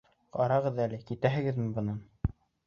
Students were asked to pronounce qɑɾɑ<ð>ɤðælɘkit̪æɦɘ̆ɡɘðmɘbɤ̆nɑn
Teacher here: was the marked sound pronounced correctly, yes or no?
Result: no